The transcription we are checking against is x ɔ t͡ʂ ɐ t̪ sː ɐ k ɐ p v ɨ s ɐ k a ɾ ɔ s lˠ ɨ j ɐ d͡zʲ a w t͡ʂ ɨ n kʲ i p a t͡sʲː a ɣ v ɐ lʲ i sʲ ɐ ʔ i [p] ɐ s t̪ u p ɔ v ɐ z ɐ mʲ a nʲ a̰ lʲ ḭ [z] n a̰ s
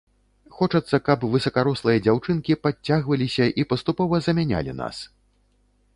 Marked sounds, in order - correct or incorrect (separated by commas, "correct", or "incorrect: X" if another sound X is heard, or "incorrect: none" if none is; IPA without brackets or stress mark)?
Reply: correct, incorrect: none